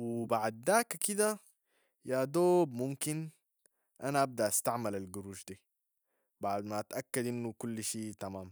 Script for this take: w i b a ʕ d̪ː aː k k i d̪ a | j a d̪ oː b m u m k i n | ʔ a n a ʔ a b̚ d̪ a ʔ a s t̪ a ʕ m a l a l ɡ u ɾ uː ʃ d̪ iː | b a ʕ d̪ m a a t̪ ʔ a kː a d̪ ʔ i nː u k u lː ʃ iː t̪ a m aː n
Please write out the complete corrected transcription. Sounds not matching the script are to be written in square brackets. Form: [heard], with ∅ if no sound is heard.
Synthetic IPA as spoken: w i b a ʕ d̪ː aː k k i d̪ a | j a d̪ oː b m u m k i n | ʔ a n a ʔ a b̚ d̪ a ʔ a s t̪ a ʕ m a l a l ɡ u ɾ uː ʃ d̪ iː | b a ʕ d̪ m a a t̪ ʔ a kː a d̪ ʔ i nː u k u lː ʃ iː t̪ a m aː [m]